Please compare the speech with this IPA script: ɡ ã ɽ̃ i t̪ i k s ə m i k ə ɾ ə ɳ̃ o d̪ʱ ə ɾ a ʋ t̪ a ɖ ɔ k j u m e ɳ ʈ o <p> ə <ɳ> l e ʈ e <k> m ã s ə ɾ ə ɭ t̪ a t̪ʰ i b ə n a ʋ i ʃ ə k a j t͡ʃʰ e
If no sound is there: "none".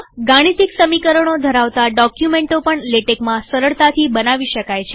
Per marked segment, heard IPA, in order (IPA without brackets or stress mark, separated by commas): p, ɳ, k